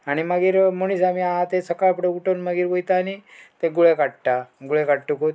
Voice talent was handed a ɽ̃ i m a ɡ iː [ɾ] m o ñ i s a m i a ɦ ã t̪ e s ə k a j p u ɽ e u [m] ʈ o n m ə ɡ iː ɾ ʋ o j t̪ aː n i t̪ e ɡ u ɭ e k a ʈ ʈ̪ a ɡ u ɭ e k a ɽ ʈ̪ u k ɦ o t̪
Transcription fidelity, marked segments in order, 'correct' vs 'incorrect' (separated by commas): correct, incorrect